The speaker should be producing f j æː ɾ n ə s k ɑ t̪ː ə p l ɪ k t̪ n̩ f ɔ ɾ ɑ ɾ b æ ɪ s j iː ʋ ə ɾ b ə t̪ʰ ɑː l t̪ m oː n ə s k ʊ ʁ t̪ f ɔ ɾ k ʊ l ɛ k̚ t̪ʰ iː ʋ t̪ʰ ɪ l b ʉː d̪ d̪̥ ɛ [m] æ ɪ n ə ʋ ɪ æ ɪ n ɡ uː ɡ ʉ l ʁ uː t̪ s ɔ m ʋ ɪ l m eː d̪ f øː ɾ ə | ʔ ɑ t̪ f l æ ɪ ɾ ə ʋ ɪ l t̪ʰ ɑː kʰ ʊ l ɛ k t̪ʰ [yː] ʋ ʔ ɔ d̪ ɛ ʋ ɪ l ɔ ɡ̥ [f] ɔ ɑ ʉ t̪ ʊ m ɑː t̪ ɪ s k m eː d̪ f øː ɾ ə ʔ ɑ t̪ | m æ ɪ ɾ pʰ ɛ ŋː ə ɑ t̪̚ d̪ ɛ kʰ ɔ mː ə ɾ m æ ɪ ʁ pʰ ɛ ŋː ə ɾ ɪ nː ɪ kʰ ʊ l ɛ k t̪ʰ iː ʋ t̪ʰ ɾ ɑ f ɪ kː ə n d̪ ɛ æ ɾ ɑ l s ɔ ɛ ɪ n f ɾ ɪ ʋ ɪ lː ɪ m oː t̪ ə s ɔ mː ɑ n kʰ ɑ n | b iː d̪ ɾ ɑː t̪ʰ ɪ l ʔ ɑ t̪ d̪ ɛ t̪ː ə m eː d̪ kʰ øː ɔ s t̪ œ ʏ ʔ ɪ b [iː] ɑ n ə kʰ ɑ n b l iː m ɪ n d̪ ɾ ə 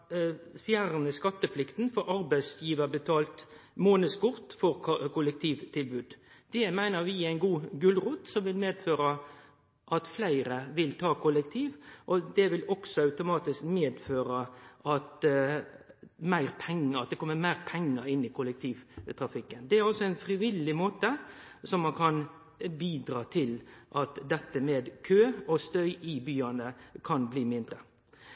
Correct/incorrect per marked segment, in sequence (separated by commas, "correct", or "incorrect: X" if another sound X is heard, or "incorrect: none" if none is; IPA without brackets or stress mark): correct, incorrect: iː, incorrect: s, incorrect: yː